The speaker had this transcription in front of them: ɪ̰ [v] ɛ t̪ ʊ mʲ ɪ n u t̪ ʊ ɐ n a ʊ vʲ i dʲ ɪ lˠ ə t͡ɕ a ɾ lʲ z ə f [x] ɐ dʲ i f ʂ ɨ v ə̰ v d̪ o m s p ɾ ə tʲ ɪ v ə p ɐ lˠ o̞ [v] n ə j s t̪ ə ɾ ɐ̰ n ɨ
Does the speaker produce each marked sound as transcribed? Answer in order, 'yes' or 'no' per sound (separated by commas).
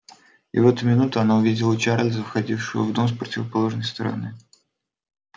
yes, yes, no